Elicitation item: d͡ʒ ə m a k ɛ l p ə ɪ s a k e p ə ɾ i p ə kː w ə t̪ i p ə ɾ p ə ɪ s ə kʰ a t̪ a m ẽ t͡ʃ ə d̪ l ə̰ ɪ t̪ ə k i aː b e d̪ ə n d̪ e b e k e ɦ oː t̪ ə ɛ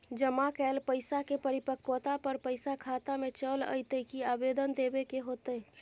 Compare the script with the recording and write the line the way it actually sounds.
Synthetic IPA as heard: d͡ʒ ə m a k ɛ l p ə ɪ s a k e p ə ɾ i p ə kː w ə t̪ a p ə ɾ p ə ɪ s a kʰ a t̪ a m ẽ t͡ʃ ə l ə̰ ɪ t̪ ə k i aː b e d̪ ə n d̪ e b e k e ɦ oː t̪ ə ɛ